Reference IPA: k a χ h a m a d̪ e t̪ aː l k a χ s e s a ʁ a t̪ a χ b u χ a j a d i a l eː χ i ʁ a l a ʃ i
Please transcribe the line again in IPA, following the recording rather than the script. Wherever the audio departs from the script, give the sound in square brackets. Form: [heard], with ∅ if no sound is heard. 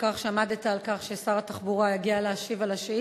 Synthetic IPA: k a χ [ʃ] a m a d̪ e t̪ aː l k a χ [ʃ] e s a ʁ a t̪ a χ b u [ʁ] a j a [ɡ] i a l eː [ʃ] i [v] a l a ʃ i

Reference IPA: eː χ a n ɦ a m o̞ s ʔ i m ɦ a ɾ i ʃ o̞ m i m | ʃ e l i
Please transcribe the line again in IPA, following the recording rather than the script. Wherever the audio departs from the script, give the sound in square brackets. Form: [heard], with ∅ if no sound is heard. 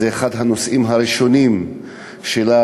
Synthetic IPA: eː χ a [d] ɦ a [n] o̞ s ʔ i m ɦ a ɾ i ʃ o̞ [n] i m | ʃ e l [a]

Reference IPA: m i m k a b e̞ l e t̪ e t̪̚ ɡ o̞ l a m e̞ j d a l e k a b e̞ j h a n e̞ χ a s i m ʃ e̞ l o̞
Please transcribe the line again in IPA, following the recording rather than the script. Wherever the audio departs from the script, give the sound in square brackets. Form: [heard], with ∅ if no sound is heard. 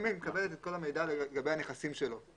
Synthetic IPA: m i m k a b e̞ l e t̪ e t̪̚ [k] o̞ l a m e̞ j d a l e [ɡ] a b e̞ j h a n e̞ χ a s i m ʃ e̞ l o̞

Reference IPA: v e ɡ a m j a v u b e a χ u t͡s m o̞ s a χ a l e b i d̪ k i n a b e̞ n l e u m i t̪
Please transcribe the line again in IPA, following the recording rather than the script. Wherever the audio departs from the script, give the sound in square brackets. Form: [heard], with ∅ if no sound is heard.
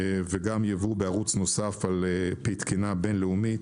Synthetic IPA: v e ɡ a m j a v u b e a [ʁ] u t͡s [n] o̞ s a [f] a l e [p] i [t̪] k i n a b e̞ n l e u m i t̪

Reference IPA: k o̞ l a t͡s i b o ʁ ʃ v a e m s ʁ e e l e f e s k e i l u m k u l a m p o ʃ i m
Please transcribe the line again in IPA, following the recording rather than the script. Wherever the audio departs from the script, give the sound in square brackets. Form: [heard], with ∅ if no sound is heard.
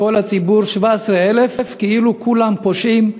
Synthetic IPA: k o̞ l a t͡s i b [u] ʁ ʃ v a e [∅] s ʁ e e l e f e [f] k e i l u [∅] k u l a m p o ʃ i m

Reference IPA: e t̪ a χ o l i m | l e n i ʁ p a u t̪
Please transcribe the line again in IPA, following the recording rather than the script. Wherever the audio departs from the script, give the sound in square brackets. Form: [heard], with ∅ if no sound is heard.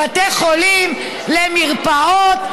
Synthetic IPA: [a] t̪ [e] χ o l i m | l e [m] i ʁ p a [o] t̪

